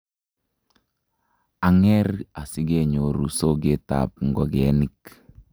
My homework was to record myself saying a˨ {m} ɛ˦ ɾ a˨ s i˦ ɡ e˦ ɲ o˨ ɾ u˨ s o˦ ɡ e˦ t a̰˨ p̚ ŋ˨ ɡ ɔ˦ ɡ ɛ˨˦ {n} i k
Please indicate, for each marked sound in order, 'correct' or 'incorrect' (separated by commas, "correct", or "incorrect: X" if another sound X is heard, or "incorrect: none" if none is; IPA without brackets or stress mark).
incorrect: ŋ, correct